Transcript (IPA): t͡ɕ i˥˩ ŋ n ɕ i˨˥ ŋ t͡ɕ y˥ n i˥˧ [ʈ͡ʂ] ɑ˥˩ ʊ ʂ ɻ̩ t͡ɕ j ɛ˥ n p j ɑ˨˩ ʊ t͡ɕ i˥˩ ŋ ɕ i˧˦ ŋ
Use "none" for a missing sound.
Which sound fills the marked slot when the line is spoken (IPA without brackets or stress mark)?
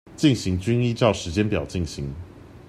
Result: ʈ͡ʂ